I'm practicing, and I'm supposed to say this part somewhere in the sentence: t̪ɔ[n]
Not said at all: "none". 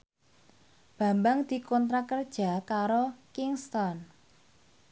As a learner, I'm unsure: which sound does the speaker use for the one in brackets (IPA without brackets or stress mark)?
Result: n